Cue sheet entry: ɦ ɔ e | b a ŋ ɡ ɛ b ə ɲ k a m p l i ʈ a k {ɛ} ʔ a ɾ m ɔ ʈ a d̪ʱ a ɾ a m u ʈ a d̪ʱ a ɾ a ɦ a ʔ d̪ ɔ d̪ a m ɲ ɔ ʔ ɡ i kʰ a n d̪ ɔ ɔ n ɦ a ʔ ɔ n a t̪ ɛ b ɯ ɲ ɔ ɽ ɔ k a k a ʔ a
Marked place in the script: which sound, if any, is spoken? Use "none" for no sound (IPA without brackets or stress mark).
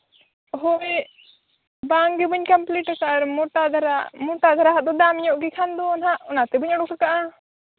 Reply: a